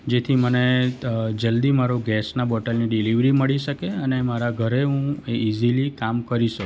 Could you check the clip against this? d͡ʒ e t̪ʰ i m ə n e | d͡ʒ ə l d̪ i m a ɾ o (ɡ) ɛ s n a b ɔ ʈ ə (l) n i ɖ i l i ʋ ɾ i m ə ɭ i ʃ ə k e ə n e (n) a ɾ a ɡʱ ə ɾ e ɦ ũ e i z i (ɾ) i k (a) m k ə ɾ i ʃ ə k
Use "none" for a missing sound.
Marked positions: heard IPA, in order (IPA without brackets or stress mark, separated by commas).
ɡ, l, m, l, a